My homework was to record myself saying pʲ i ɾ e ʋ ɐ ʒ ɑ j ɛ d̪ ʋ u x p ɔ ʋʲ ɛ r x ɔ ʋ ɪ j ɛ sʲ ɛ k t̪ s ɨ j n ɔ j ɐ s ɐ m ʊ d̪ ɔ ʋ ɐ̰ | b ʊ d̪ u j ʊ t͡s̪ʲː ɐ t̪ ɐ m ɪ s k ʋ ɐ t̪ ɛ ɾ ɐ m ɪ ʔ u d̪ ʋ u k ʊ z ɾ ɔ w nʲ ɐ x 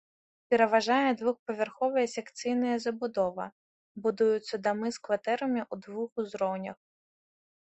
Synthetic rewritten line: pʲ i ɾ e ʋ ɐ ʒ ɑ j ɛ d̪ ʋ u x p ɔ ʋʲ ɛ r x ɔ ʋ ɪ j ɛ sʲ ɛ k t̪ s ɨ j n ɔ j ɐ z ɐ b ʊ d̪ ɔ ʋ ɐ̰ | b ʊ d̪ u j ʊ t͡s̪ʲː ɐ d̪ ɐ m ɪ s k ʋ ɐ t̪ ɛ ɾ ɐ m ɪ ʔ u d̪ ʋ u x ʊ z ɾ ɔ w nʲ ɐ x